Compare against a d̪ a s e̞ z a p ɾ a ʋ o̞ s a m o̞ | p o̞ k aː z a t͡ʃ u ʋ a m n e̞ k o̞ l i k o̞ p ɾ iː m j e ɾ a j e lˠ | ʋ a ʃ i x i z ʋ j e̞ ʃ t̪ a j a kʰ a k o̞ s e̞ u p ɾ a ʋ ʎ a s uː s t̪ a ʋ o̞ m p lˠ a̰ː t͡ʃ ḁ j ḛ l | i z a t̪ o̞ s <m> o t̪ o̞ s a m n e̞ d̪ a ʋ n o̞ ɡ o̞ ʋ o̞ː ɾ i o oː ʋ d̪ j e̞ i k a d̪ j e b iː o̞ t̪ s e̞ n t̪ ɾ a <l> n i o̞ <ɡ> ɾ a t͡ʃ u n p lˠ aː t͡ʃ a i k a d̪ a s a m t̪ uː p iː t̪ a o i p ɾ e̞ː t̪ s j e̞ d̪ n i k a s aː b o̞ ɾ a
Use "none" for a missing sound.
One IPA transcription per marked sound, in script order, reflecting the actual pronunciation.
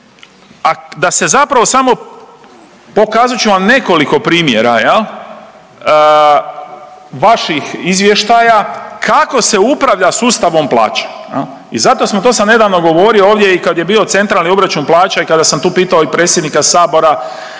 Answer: m, l, b

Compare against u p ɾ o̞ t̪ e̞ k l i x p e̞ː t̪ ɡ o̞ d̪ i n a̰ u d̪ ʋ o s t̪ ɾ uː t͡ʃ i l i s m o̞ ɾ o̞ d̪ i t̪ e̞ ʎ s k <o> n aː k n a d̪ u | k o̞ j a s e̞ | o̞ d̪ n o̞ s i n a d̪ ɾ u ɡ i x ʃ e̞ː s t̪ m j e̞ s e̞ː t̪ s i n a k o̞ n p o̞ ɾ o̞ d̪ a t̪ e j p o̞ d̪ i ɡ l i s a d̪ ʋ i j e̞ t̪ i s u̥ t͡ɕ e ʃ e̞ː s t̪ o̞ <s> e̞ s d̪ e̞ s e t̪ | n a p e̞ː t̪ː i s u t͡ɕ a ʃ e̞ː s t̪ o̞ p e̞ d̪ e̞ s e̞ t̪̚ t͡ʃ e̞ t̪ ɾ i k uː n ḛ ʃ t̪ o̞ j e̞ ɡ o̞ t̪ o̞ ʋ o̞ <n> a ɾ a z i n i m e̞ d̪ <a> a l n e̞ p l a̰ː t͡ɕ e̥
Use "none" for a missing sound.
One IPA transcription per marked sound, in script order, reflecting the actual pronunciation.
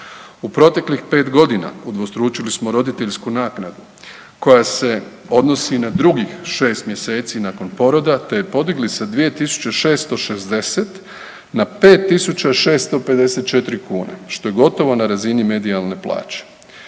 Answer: u, ʃ, n, i

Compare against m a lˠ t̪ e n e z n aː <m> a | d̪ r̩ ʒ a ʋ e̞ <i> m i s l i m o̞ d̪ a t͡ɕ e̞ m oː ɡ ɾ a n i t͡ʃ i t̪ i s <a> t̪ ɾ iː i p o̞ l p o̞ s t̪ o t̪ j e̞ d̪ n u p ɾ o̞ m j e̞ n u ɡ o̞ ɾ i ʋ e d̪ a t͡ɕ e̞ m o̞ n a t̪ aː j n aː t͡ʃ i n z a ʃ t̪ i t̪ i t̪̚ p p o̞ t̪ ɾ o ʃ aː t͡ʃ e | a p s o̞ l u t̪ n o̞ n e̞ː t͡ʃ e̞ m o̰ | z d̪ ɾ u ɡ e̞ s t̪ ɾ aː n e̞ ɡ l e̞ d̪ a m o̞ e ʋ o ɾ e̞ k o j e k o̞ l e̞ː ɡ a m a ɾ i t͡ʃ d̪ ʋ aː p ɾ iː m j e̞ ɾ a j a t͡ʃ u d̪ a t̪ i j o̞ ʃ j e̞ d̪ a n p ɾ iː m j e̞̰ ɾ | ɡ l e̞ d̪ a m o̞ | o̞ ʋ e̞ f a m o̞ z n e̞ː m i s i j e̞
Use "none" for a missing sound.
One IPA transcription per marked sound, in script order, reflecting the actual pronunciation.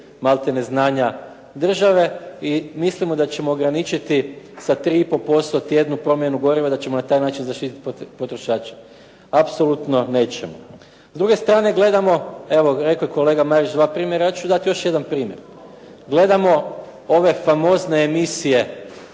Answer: ɲ, i, a

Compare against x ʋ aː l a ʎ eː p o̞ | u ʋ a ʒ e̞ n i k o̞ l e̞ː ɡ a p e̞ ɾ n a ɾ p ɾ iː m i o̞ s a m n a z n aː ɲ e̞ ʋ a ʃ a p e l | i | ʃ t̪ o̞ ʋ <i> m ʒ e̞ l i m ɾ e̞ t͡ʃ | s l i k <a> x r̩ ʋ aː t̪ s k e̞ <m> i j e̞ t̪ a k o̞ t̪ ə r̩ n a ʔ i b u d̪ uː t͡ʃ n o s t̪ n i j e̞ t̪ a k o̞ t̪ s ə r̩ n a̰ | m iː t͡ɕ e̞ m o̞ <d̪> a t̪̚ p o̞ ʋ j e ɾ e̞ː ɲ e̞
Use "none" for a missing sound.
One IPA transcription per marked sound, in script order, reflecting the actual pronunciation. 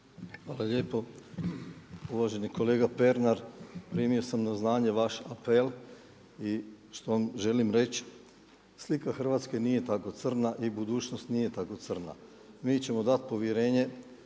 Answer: a, a, n, d̪

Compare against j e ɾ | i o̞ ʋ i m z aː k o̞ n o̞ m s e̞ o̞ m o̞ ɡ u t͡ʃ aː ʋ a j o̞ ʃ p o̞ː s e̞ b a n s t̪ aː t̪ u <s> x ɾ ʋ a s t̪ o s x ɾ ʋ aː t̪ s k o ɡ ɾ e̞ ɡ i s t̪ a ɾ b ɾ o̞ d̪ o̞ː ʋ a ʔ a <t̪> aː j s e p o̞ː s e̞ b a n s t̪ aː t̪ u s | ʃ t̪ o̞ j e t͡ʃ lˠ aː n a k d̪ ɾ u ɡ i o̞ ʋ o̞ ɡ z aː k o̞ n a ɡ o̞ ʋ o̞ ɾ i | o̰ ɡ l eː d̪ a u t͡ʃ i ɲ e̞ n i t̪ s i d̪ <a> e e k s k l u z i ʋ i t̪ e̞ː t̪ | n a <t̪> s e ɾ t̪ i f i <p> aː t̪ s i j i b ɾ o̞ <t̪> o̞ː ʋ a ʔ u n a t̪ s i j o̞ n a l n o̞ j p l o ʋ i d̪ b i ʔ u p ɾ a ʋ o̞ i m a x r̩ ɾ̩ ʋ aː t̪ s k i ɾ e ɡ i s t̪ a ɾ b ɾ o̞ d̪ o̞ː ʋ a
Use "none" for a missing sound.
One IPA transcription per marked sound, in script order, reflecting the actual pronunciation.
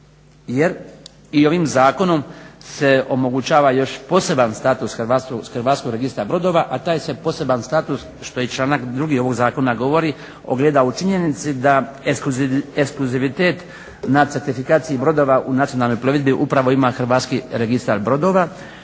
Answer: s, t̪, a, t̪, k, d̪

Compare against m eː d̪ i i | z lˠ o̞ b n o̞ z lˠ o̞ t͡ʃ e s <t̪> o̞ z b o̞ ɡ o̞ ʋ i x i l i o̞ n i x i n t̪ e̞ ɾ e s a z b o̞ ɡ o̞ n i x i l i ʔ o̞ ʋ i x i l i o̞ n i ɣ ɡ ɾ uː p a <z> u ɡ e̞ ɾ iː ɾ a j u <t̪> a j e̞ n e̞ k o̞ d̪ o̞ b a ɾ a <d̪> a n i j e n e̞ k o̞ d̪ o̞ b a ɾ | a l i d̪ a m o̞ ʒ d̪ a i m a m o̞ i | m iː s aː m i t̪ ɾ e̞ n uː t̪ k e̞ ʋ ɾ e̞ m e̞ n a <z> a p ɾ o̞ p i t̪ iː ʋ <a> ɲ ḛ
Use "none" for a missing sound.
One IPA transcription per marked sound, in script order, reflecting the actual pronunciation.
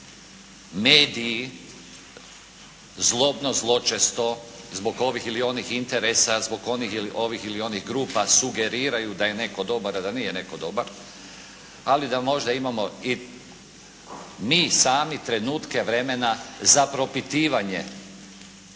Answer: t̪, s, d̪, d̪, z, a

